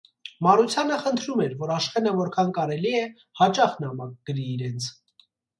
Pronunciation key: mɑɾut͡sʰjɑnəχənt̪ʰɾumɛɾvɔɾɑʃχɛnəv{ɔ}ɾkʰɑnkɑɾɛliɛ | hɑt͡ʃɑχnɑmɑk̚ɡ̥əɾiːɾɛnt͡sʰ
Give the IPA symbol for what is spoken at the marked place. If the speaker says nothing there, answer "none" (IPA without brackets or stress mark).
ɔ